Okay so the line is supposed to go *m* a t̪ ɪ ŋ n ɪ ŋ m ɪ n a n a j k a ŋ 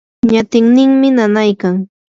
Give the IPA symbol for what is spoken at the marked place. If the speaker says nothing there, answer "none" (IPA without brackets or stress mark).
ɲ